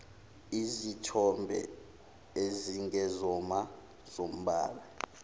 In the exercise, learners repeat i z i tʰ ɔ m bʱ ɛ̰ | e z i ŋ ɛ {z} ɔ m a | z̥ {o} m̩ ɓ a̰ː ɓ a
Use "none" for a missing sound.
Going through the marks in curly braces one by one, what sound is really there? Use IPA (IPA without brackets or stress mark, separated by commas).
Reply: z, o